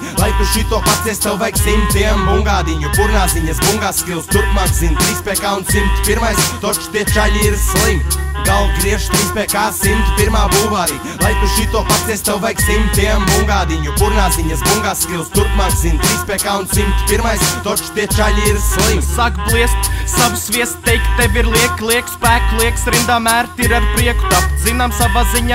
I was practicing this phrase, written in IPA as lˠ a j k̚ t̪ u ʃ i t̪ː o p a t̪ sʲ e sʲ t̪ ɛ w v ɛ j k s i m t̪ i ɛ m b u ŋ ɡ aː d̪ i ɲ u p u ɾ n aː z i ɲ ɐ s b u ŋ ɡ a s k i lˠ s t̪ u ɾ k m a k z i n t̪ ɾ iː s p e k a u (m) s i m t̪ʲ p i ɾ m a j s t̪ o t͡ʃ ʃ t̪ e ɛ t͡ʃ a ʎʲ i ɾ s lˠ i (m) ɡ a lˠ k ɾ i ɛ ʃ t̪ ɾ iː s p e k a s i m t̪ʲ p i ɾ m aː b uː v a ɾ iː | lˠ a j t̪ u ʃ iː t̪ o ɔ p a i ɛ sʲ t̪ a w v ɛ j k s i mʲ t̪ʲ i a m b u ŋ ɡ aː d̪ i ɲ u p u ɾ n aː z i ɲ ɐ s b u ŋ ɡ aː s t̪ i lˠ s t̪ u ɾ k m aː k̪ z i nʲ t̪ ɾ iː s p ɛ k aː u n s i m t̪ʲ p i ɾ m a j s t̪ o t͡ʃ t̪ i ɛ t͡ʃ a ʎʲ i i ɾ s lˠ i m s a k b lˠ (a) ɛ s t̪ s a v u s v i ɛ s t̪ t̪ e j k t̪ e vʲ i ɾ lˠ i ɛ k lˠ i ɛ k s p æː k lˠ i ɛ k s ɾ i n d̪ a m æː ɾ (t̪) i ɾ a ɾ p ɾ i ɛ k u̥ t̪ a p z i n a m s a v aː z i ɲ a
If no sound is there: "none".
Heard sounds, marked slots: n, m, i, t̪

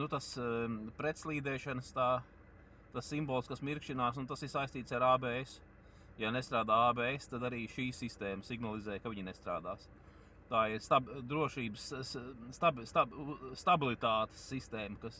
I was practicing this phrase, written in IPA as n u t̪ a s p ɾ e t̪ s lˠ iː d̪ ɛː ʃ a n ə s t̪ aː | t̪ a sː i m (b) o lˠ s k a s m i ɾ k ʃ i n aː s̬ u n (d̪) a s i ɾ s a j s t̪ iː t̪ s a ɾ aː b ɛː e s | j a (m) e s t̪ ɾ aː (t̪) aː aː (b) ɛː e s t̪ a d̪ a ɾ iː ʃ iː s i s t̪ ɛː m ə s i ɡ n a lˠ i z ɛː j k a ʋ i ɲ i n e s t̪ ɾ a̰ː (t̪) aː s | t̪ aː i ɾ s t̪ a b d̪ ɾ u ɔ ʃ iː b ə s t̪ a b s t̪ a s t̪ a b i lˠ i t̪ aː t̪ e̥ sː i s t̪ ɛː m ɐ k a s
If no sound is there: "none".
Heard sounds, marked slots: b, t̪, n, d̪, b, d̪

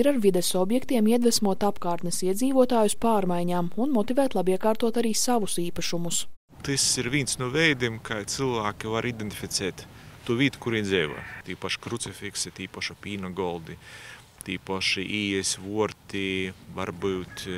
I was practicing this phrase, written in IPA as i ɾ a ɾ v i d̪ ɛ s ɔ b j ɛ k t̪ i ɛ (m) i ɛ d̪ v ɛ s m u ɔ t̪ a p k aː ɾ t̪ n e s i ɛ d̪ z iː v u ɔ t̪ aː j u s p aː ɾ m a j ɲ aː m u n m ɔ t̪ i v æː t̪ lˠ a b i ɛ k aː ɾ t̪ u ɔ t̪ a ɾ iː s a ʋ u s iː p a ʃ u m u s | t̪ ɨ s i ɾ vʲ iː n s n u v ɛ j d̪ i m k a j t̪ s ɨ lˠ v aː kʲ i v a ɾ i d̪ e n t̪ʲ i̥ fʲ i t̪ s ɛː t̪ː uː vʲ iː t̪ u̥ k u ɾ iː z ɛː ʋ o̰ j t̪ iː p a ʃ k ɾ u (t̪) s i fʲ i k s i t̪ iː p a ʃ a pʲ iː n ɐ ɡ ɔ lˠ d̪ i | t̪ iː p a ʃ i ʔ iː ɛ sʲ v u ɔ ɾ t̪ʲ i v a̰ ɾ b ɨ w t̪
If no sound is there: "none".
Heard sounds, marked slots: m, t̪

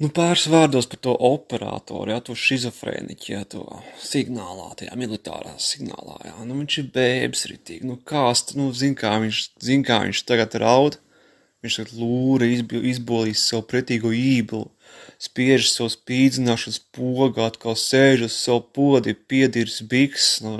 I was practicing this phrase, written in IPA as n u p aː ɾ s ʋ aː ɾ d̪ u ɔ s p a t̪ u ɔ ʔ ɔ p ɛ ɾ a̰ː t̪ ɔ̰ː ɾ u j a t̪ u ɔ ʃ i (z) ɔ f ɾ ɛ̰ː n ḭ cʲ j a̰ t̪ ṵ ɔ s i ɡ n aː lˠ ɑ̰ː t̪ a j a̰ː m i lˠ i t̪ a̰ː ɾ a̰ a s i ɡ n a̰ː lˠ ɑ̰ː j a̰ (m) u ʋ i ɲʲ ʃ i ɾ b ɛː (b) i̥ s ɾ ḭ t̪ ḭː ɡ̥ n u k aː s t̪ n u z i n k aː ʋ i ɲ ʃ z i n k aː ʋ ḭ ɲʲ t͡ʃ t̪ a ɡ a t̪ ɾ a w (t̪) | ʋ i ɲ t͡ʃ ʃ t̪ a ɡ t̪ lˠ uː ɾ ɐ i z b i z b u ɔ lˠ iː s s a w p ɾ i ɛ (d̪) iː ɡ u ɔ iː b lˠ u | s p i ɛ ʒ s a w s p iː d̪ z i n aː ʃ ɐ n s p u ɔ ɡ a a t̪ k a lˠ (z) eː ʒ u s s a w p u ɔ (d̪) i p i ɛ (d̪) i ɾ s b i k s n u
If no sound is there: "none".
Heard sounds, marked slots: z, n, b, d̪, t̪, s, d̪, d̪

